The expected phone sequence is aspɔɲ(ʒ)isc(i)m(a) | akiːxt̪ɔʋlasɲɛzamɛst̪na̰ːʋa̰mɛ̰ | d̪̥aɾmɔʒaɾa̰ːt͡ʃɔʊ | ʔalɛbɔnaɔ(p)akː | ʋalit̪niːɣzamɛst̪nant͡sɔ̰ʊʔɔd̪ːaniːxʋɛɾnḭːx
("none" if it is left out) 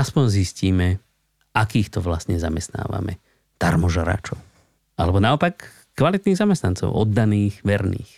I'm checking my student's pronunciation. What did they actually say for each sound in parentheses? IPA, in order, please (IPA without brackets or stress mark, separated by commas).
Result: z, iː, ɛ, p